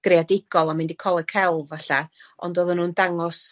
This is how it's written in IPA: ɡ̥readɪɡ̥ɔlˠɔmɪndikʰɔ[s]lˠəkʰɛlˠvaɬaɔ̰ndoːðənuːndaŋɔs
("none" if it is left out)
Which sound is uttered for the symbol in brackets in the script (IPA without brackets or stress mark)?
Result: none